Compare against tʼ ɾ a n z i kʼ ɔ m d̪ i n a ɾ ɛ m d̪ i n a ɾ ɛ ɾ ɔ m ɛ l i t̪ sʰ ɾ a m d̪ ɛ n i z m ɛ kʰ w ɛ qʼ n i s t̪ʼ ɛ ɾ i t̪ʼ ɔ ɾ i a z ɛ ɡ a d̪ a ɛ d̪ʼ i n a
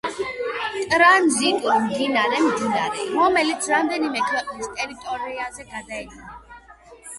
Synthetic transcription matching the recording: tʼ ɾ a n z i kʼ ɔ m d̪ i n a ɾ ɛ m d̪ i n a ɾ ɛ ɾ ɔ m ɛ l i t̪ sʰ ɾ a m d̪ ɛ n i m ɛ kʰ w ɛ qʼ n i s t̪ʼ ɛ ɾ i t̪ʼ ɔ ɾ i a z ɛ ɡ a d̪ a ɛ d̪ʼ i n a